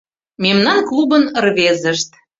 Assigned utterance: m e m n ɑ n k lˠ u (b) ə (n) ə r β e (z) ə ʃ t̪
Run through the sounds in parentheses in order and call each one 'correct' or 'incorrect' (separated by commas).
correct, correct, correct